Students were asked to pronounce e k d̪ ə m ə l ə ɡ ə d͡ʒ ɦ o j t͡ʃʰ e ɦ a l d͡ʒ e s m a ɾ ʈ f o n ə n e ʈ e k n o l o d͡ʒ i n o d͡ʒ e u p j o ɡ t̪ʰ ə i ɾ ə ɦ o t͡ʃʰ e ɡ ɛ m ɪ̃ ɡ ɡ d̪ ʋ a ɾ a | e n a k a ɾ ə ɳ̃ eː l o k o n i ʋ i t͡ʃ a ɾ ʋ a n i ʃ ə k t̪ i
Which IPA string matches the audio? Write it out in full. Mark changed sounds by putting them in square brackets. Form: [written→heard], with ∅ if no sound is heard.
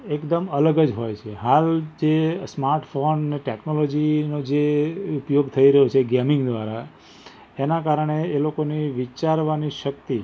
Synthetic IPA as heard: e k d̪ ə m ə l ə ɡ ə d͡ʒ ɦ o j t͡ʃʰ e ɦ a l d͡ʒ e s m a ɾ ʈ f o n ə n e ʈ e k n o l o d͡ʒ i n o d͡ʒ e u p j o ɡ t̪ʰ ə i ɾ ə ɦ o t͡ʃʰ e ɡ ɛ m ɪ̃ [ɡ→ŋ] ɡ d̪ ʋ a ɾ a | e n a k a ɾ ə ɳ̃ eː l o k o n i ʋ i t͡ʃ a ɾ ʋ a n i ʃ ə k t̪ i